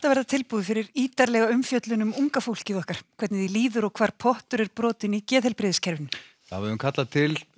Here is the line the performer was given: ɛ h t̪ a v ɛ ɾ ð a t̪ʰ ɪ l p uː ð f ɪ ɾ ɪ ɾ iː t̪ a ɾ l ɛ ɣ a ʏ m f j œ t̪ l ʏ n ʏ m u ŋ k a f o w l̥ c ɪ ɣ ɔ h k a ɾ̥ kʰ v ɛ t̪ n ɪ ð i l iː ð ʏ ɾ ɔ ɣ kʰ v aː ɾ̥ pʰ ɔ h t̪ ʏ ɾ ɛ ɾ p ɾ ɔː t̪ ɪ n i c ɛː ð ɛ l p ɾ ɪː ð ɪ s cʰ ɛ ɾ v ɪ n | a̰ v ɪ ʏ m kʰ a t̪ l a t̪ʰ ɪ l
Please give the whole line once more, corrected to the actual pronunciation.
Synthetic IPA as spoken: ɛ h t̪ a v ɛ ɾ ð a t̪ʰ ɪ l p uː ð f ɪ ɾ ɪ ɾ iː t̪ a ɾ l ɛ ɣ a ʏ m f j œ t̪ l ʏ n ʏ m u ŋ k a f o w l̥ c ɪ ð ɔ h k a ɾ̥ kʰ v ɛ t̪ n ɪ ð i l iː ð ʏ ɾ ɔ ɣ kʰ v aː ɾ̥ pʰ ɔ h t̪ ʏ ɾ ɛ ɾ p ɾ ɔː t̪ ɪ n i c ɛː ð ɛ l p ɾ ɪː ð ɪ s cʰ ɛ ɾ v ɪ n | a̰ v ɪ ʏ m kʰ a t̪ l a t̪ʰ ɪ l